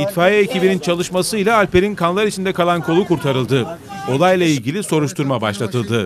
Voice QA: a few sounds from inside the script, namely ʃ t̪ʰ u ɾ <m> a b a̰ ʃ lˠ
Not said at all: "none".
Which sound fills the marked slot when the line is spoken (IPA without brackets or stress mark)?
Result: m